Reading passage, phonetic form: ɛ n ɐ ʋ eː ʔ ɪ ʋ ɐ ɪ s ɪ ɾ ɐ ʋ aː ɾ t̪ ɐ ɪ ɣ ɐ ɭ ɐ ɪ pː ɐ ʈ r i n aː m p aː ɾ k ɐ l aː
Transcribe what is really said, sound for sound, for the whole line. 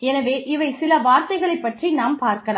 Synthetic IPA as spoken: ɛ n ɐ ʋ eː ʔ ɪ ʋ ɐ ɪ s ɪ l ɐ ʋ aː ɾ t̪ ɐ ɪ ɣ ɐ ɭ ɐ ɪ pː ɐ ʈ r i n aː m p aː ɾ k ɐ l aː